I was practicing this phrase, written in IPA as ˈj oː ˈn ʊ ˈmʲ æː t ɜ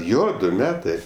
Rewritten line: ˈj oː ˈd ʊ ˈmʲ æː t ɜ